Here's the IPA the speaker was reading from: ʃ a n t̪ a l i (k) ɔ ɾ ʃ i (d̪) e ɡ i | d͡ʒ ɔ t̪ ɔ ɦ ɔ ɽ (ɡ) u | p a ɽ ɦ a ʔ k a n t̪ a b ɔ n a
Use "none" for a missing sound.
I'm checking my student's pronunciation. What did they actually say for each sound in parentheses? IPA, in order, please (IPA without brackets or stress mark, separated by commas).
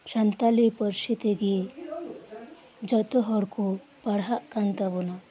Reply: p, t̪, k